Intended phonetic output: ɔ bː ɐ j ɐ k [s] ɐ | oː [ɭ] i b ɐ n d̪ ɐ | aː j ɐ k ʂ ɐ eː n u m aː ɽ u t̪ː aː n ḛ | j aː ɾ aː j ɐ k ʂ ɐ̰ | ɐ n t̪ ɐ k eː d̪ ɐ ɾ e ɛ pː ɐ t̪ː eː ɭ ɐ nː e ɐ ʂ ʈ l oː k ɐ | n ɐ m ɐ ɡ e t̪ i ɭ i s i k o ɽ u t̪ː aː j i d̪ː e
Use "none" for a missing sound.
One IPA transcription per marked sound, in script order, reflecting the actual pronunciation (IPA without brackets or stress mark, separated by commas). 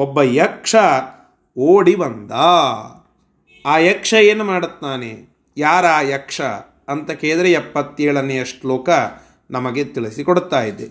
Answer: ʂ, ɽ